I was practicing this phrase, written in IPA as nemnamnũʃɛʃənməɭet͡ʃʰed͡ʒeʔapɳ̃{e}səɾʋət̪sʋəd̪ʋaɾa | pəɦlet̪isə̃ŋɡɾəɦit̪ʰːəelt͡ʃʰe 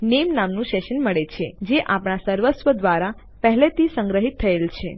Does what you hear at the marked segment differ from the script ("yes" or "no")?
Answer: yes